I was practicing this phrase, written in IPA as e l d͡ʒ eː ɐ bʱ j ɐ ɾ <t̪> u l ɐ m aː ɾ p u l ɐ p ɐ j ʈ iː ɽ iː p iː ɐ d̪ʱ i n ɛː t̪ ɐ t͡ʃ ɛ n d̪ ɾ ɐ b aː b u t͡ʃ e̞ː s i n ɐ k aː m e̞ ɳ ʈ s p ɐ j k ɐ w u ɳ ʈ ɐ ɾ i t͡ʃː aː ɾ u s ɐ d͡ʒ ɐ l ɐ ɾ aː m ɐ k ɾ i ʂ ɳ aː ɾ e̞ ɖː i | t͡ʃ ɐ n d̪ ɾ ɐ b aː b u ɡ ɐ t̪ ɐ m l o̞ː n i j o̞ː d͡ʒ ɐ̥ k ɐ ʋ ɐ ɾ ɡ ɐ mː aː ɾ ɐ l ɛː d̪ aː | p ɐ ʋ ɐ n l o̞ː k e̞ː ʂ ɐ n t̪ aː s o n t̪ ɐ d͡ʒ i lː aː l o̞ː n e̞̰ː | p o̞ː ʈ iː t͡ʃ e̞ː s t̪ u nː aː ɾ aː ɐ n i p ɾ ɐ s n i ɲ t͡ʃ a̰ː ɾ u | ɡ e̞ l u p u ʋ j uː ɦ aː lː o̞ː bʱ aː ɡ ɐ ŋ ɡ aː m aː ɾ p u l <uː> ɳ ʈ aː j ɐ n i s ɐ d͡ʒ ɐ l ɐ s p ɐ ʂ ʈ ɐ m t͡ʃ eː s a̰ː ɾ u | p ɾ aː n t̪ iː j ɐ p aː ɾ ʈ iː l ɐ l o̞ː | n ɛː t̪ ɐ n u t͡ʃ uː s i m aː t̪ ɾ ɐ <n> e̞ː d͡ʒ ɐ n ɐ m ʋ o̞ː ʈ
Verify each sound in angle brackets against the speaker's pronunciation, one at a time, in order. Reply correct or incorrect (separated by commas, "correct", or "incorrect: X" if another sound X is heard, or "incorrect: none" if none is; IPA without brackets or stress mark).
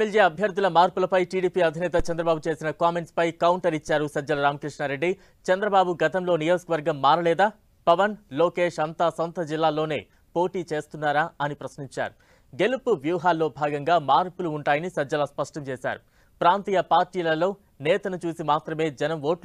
incorrect: d̪, correct, incorrect: m